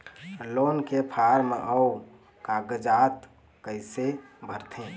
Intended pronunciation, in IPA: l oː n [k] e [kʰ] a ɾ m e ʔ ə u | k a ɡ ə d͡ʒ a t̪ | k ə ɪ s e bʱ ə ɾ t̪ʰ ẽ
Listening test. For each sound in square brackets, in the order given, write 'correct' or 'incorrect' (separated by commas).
correct, incorrect